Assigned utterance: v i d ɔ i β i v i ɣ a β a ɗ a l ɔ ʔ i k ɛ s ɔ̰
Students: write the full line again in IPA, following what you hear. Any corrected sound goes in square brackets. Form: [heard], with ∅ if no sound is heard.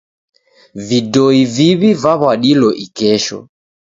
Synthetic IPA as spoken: v i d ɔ i [v] i [β] i [v] a β a ɗ [i] l ɔ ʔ i k ɛ [ʃ] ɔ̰